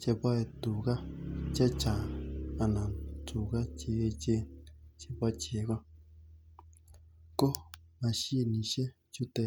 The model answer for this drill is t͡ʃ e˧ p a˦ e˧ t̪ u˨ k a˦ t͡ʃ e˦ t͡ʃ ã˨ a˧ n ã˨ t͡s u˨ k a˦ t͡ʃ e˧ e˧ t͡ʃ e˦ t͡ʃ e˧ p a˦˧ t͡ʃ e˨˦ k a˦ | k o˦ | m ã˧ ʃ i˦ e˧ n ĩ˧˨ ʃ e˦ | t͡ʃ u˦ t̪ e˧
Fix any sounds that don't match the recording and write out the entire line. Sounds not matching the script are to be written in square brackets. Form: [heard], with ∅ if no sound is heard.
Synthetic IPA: t͡ʃ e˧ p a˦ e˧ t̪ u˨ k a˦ t͡ʃ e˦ t͡ʃ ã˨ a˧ n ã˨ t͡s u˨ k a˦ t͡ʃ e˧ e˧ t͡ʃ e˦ t͡ʃ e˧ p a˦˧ t͡ʃ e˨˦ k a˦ | k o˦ | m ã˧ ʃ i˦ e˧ n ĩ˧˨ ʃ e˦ | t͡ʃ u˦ t̪ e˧